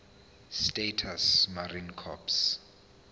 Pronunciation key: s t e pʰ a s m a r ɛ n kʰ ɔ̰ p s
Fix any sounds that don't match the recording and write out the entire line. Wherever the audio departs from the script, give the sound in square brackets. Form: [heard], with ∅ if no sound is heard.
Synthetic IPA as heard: s t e [tʰ] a s m a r [i] n kʰ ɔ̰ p s